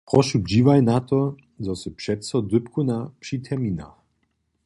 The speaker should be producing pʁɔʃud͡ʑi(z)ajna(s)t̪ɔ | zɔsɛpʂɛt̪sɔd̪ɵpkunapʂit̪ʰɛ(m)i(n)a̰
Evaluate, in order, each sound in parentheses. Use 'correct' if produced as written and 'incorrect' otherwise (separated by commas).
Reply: incorrect, incorrect, correct, correct